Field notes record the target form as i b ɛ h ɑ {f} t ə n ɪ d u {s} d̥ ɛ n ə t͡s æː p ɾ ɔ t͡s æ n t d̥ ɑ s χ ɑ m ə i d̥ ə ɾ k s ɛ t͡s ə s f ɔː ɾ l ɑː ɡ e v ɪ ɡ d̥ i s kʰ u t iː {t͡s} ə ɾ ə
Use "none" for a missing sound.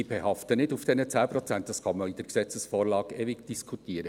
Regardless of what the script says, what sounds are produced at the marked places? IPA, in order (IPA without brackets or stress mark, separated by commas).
f, f, none